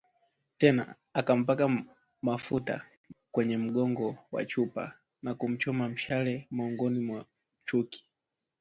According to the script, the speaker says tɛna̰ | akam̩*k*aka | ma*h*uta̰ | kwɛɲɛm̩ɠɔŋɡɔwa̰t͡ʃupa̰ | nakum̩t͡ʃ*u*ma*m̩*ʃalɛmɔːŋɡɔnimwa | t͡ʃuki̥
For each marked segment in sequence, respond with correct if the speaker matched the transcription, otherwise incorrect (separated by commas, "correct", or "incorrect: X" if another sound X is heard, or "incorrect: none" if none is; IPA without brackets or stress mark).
incorrect: p, incorrect: f, incorrect: ɔ, correct